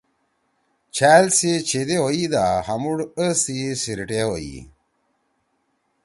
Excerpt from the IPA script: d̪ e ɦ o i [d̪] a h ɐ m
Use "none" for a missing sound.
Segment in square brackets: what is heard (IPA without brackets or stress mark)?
d̪